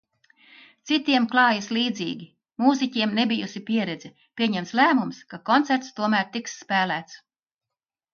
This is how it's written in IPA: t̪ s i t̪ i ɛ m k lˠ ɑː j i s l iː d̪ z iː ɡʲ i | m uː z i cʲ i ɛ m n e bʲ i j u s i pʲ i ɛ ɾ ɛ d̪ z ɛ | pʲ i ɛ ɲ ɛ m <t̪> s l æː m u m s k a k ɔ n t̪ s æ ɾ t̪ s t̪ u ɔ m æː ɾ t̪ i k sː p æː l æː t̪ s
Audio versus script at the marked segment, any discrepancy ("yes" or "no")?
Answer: no